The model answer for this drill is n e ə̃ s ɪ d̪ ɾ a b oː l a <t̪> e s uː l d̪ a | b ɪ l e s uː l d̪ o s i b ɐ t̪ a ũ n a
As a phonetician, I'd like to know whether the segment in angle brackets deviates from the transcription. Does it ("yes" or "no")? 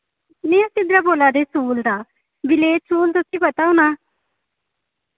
yes